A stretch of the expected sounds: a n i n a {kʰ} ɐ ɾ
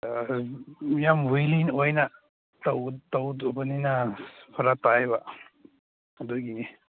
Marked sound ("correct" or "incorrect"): incorrect